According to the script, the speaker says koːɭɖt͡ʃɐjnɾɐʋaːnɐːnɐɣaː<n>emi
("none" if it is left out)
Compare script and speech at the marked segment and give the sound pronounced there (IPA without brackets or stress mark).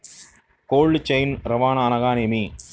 n